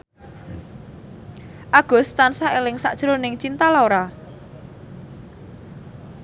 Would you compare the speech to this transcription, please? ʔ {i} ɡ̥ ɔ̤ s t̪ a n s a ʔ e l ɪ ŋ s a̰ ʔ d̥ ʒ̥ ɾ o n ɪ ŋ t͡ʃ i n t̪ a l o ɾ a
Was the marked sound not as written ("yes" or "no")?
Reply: yes